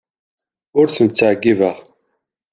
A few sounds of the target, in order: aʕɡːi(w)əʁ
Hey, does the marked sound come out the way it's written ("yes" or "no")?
no